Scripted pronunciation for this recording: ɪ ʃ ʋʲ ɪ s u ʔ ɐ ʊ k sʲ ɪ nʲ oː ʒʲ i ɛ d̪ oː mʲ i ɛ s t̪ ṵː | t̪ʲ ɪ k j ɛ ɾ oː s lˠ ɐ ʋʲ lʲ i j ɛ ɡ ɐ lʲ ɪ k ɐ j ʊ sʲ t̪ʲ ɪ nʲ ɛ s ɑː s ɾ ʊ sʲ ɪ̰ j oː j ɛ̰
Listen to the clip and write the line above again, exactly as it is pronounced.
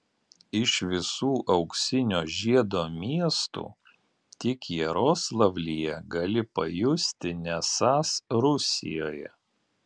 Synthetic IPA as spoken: ɪ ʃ ʋʲ ɪ s uː ʔ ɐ ʊ k sʲ ɪ nʲ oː ʒʲ i ɛ d̪ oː mʲ i ɛ s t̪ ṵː | t̪ʲ ɪ k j ɛ ɾ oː s lˠ ɐ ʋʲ lʲ i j ɛ ɡ ɐ lʲ ɪ p ɐ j ʊ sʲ t̪ʲ ɪ nʲ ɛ s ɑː s ɾ ʊ sʲ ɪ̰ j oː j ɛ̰